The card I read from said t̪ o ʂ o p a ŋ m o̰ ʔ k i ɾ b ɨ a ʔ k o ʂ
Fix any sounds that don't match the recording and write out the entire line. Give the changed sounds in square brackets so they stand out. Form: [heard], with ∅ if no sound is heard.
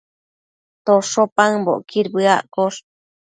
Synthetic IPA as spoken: t̪ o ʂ o p a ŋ [b] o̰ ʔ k i ɾ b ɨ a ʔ k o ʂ